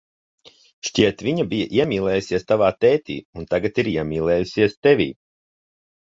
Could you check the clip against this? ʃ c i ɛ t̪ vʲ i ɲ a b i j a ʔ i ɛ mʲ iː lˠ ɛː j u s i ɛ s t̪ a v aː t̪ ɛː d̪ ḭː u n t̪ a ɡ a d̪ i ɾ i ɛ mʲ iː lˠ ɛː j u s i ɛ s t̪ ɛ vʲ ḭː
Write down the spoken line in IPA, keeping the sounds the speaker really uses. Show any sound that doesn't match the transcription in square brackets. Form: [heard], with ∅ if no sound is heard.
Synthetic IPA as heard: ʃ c i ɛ t̪ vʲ i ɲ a b i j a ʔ i ɛ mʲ iː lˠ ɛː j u s i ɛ s t̪ a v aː t̪ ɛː [t̪] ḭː u n t̪ a ɡ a [t̪] i ɾ i ɛ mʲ iː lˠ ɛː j u s i ɛ s t̪ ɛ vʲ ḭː